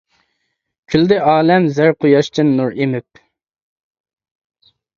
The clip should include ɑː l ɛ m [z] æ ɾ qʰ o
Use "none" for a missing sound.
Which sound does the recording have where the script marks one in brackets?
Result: z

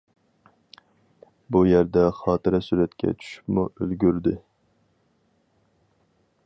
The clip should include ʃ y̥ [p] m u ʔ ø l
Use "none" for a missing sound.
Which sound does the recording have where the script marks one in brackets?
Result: p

